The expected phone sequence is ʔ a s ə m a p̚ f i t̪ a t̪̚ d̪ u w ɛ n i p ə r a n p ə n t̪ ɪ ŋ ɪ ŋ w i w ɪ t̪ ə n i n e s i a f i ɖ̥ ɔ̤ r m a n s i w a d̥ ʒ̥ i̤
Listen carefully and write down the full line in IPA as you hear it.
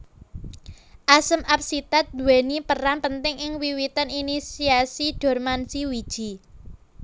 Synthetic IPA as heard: ʔ a s ə m a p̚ s i t̪ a t̪̚ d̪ u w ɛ n i p ə r a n p ə n t̪ ɪ ŋ ɪ ŋ w i w i t̪ ə n i n i s i a s i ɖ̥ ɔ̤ r m a n s i w i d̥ ʒ̥ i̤